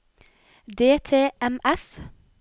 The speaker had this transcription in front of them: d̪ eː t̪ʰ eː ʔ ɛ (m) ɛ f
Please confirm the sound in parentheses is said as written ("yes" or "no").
yes